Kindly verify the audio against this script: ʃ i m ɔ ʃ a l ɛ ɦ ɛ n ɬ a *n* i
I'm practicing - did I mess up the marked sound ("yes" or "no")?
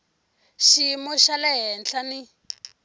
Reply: no